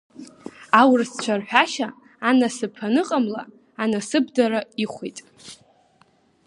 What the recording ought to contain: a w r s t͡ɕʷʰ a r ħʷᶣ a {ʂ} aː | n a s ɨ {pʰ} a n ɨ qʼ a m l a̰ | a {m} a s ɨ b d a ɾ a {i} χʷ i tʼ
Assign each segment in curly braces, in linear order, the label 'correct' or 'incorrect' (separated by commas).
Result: incorrect, correct, incorrect, correct